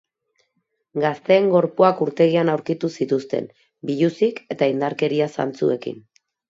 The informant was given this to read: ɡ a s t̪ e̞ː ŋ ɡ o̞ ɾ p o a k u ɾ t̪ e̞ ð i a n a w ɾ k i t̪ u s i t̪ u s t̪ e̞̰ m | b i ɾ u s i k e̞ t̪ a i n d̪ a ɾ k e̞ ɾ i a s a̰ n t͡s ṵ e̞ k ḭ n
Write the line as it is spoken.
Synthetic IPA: ɡ a s t̪ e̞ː ŋ ɡ o̞ ɾ p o a k u ɾ t̪ e̞ ɣ i a n a w ɾ k i t̪ u s i t̪ u s t̪ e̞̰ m | b i ʎ u s i k e̞ t̪ a i n d̪ a ɾ k e̞ ɾ i a s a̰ n t͡s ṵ e̞ k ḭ n